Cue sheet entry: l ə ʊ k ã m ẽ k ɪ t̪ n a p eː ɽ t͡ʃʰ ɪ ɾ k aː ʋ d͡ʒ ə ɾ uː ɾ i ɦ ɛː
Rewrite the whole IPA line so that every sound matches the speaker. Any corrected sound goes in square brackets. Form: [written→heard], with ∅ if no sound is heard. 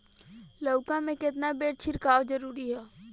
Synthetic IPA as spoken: l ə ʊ k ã m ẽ k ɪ t̪ n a [p→b] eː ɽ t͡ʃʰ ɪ ɾ k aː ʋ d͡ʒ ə ɾ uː ɾ i ɦ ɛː